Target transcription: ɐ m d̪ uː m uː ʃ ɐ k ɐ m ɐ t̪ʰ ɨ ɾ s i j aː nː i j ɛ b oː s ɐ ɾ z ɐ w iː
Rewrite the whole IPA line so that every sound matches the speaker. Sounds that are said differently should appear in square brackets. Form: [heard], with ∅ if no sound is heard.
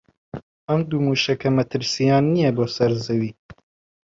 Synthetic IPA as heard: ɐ m d̪ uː m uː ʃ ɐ k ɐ m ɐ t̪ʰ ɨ ɾ s i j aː nː i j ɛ b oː s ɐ ɾ z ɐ w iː